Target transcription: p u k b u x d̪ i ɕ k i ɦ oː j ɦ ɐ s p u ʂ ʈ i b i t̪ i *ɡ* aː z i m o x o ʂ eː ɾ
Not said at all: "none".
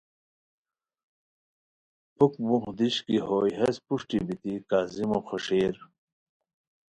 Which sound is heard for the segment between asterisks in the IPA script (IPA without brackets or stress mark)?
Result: k